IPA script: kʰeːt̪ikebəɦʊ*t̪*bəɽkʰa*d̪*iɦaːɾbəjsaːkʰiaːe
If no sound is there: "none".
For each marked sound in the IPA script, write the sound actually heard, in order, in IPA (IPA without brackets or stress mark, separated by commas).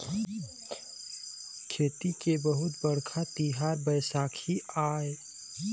t̪, t̪